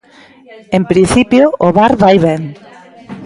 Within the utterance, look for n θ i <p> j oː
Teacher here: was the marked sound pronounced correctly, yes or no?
yes